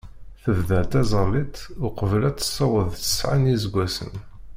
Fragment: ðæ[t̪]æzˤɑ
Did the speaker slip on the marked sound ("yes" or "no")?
no